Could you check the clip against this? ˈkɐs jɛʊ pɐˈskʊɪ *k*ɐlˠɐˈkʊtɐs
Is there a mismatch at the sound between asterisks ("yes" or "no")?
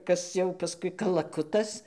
no